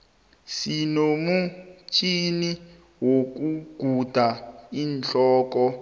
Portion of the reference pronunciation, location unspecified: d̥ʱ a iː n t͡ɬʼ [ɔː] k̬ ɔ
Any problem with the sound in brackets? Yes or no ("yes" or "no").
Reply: no